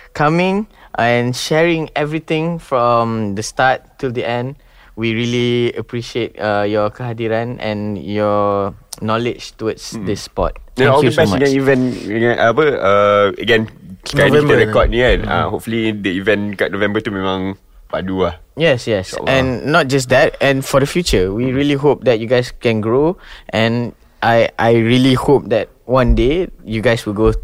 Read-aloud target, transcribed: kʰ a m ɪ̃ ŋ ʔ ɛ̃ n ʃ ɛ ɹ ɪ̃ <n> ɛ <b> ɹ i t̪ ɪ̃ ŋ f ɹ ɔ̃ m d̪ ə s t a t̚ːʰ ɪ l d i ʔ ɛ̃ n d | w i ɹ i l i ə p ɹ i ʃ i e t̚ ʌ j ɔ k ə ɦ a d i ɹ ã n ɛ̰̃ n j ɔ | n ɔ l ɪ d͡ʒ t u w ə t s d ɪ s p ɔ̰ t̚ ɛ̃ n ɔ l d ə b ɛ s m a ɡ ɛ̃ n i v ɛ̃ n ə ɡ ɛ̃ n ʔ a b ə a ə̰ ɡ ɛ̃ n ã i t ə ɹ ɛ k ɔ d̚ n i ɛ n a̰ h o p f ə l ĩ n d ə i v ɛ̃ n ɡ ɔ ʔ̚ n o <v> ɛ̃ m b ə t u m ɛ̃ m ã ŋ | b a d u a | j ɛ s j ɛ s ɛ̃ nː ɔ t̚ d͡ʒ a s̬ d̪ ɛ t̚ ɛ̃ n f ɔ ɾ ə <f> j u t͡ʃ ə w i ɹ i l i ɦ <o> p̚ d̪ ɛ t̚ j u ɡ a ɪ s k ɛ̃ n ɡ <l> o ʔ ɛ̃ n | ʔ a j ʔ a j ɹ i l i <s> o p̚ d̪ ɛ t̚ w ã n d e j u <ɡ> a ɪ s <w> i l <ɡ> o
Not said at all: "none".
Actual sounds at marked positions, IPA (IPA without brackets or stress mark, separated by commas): ŋ, v, v, f, o, ɹ, h, ɡ, w, ɡ